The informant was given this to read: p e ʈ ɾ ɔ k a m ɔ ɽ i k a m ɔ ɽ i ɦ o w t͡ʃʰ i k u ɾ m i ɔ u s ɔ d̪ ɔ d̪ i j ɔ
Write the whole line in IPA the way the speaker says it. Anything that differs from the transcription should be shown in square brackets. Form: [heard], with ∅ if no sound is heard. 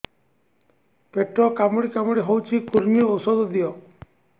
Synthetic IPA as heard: p e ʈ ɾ ɔ k a m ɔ ɽ i k a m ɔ ɽ i ɦ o w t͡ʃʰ i k u ɾ m i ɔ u s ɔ d̪ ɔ d̪ i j ɔ